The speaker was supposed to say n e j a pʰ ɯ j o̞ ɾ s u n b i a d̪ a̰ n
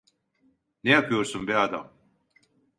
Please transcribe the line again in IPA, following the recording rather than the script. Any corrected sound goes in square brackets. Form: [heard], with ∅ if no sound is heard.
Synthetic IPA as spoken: n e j a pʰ ɯ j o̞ ɾ s u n b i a d̪ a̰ [m]